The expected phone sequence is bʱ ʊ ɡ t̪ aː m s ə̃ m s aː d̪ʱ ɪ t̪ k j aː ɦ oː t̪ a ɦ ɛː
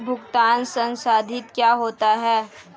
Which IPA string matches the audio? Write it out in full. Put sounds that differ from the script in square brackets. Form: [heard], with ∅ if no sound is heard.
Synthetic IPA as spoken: bʱ ʊ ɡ t̪ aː [n] s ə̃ [n] s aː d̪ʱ ɪ t̪ k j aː ɦ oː t̪ a ɦ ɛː